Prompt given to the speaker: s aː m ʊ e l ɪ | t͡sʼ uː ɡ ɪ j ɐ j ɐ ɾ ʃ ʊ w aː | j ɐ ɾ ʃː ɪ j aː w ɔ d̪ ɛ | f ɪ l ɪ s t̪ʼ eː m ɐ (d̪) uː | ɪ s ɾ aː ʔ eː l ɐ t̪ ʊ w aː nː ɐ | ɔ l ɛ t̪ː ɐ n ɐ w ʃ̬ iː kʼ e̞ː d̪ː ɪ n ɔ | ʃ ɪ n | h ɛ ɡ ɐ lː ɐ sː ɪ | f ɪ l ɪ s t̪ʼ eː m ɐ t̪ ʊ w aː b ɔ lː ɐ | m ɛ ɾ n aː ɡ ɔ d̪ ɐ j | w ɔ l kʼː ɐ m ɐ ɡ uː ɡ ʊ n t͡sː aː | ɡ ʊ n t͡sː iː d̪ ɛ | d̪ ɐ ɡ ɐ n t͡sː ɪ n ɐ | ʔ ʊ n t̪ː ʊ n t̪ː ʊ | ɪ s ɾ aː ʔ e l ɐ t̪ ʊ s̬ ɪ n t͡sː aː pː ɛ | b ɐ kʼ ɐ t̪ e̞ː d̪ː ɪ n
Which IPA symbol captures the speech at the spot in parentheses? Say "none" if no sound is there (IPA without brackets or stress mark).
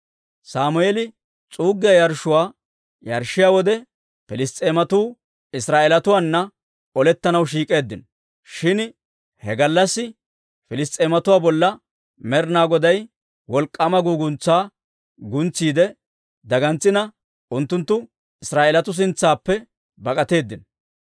t̪